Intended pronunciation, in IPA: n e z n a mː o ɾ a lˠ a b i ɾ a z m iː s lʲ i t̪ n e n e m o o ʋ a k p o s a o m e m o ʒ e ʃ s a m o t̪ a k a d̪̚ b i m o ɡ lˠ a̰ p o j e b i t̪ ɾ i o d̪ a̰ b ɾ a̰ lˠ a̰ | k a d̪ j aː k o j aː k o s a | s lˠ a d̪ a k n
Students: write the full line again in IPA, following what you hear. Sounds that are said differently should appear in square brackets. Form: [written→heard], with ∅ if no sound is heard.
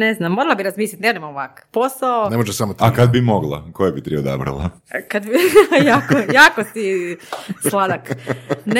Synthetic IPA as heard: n e z n a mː o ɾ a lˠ a b i ɾ a z m iː s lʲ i t̪ n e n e m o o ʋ a k p o s a o [m→n] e m o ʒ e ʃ s a m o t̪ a k a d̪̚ b i m o ɡ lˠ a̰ [p→k] o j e b i t̪ ɾ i o d̪ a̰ b ɾ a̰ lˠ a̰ | k a d̪ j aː k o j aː k o s [a→i] | s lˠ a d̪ a k n